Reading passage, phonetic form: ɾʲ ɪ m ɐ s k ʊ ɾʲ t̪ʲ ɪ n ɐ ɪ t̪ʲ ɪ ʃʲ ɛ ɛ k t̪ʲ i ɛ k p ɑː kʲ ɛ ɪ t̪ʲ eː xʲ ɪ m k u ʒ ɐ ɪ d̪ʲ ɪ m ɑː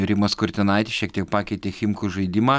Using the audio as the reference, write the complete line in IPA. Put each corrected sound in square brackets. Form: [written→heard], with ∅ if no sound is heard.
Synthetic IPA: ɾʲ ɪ m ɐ s k ʊ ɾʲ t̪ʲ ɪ n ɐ ɪ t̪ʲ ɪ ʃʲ [ɛ→i] ɛ k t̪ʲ i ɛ k p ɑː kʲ ɛ ɪ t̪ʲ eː xʲ ɪ m k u ʒ ɐ ɪ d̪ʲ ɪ m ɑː